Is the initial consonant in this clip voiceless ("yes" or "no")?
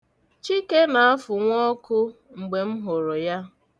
yes